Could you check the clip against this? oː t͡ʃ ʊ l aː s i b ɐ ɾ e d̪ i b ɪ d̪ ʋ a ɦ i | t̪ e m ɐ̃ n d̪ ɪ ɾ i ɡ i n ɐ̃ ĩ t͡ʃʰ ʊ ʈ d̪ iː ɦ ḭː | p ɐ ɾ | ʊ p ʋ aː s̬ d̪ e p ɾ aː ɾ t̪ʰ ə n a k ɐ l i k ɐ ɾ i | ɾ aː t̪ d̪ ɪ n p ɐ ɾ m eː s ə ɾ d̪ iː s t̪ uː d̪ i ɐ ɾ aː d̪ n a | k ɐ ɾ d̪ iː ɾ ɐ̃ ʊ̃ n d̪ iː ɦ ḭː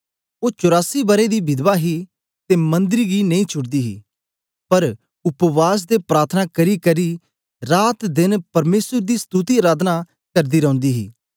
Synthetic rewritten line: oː t͡ʃ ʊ ɾ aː s i b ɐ ɾ e d̪ i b ɪ d̪ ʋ a ɦ i | t̪ e m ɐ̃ n d̪ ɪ ɾ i ɡ i n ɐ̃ ĩ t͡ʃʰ ʊ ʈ d̪ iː ɦ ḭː | p ɐ ɾ | ʊ p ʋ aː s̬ d̪ e p ɾ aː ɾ t̪ʰ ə n a k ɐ ɾ i k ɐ ɾ i | ɾ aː t̪ d̪ ɪ n p ɐ ɾ m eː s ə ɾ d̪ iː s t̪ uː t̪ i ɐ ɾ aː d̪ n a | k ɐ ɾ d̪ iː ɾ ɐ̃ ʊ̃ n d̪ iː ɦ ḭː

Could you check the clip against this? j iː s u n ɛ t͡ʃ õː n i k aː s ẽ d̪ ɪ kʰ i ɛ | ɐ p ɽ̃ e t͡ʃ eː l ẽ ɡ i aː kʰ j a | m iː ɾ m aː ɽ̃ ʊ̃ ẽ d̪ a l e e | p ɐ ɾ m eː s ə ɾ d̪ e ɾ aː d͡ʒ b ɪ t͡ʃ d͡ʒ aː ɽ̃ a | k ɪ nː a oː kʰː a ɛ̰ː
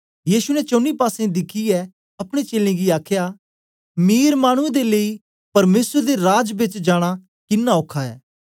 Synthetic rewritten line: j iː s u n ɛ t͡ʃ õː n i p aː s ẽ d̪ ɪ kʰ i ɛ | ɐ p ɽ̃ e t͡ʃ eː l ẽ ɡ i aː kʰ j a | m iː ɾ m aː ɽ̃ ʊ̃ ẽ d̪ e l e i | p ɐ ɾ m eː s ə ɾ d̪ e ɾ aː d͡ʒ b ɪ t͡ʃ d͡ʒ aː ɽ̃ a | k ɪ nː a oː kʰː a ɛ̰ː

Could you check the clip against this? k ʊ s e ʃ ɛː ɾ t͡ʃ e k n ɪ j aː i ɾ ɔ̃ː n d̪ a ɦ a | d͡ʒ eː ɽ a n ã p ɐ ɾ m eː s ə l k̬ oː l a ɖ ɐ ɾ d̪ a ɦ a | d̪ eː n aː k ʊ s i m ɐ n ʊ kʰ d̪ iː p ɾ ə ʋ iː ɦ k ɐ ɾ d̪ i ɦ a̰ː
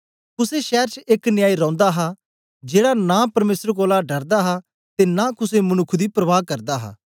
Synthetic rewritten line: k ʊ s e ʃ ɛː ɾ t͡ʃ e k n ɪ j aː i ɾ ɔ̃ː n d̪ a ɦ a | d͡ʒ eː ɽ a n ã p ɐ ɾ m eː s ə ɾ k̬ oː l a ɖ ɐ ɾ d̪ a ɦ a | t̪ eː n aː k ʊ s e m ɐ n ʊ kʰ d̪ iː p ɾ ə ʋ aː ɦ k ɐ ɾ d̪ a ɦ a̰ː

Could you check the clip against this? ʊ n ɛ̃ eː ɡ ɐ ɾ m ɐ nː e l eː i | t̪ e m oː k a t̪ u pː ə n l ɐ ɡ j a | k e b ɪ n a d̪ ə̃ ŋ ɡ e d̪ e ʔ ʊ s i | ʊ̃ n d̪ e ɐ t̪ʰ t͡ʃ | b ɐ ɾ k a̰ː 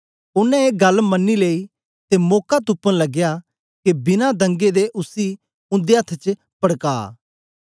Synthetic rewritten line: ʊ n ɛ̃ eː ɡ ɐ l m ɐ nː i l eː i | t̪ e m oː k a t̪ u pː ə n l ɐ ɡ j a | k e b ɪ n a d̪ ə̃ ŋ ɡ e d̪ e ʔ ʊ s i | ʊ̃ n d̪ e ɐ t̪ʰ t͡ʃ | p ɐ ɽ k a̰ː

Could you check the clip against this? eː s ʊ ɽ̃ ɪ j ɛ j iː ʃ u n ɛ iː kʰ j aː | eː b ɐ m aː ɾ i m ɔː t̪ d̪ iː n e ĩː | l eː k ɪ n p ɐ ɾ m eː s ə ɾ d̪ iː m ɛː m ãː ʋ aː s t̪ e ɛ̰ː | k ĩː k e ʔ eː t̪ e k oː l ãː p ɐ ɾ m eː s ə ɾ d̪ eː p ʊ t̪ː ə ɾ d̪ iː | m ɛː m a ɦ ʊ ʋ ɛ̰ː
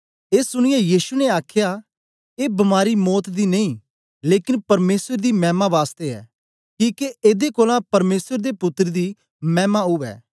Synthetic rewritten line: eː s ʊ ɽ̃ ɪ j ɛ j iː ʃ u n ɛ aː kʰ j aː | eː b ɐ m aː ɾ i m ɔː t̪ d̪ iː n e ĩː | l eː k ɪ n p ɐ ɾ m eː s ə ɾ d̪ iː m ɛː m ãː ʋ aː s t̪ e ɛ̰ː | k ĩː k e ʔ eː d̪ e k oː l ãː p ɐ ɾ m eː s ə ɾ d̪ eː p ʊ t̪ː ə ɾ d̪ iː | m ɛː m a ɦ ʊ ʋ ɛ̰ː

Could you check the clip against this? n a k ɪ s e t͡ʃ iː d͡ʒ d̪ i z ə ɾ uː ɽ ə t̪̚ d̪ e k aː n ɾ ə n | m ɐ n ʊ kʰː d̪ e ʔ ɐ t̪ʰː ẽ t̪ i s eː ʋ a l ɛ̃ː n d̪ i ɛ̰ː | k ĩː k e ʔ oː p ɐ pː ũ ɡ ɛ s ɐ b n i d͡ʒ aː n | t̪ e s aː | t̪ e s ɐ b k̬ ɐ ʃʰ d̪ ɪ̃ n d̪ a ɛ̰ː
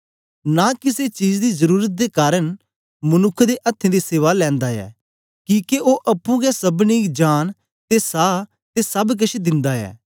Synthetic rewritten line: n a k ɪ s e t͡ʃ iː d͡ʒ d̪ i z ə ɾ uː ɾ ə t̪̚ d̪ e k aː ɾ ə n | m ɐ n ʊ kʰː d̪ e ʔ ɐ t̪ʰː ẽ d̪ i s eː ʋ a l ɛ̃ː n d̪ a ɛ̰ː | k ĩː k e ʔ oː ʔ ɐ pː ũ ɡ ɛ s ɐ b n i d͡ʒ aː n | t̪ e s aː | t̪ e s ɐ b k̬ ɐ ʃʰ d̪ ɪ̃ n d̪ a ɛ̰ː

